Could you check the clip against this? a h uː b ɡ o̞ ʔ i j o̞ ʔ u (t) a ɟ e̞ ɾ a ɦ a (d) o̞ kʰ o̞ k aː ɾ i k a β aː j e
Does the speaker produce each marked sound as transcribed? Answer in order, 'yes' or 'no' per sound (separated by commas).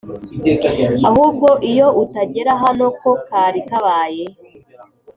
yes, no